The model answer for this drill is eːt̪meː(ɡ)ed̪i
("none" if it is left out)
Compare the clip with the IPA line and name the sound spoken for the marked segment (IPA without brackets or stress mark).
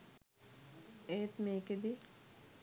k